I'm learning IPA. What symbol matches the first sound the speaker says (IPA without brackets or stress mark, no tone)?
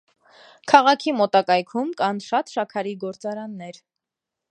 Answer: kʰ